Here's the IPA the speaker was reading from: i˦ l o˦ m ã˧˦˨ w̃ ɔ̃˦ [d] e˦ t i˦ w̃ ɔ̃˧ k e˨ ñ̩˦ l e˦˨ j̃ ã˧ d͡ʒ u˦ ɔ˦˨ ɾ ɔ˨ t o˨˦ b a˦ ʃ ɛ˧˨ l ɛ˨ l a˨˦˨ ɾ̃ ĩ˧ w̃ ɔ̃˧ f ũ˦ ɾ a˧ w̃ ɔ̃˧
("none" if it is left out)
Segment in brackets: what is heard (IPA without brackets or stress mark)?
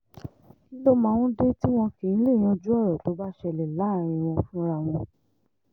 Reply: d